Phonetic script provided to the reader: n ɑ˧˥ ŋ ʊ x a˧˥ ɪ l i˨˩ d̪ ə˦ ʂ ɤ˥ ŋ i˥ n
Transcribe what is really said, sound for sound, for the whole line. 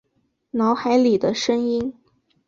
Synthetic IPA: n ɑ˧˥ ʊ x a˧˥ ɪ l i˨˩ d̪ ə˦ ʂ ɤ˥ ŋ i˥ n